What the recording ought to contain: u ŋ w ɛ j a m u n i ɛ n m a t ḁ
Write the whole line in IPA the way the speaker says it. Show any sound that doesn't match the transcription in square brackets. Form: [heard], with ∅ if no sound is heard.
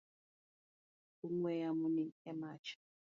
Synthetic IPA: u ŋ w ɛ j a m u n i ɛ [∅] m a [t͡ʃ] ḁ